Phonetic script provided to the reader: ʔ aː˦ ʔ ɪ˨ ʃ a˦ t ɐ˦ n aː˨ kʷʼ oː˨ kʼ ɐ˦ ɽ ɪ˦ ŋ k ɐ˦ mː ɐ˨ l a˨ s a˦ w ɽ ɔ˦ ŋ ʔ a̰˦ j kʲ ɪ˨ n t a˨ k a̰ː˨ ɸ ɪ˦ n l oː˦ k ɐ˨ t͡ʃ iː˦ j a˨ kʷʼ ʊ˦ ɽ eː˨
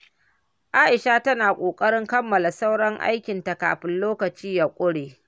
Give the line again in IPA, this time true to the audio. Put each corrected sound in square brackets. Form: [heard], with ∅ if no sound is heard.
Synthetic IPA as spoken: ʔ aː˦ ʔ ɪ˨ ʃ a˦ t ɐ˦ n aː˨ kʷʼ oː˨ kʼ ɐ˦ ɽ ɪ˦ ŋ k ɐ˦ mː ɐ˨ l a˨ s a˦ w ɽ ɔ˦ ŋ ʔ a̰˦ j kʲ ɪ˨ n t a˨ k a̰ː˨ ɸ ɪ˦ n l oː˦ k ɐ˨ t͡ʃ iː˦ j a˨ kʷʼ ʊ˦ ɽ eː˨